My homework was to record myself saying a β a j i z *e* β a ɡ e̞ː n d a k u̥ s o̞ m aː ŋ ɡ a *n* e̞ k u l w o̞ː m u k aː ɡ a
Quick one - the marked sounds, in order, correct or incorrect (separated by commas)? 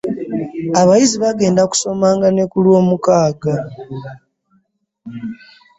incorrect, correct